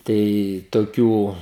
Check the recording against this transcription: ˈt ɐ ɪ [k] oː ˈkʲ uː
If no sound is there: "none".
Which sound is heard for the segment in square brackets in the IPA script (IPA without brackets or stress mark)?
t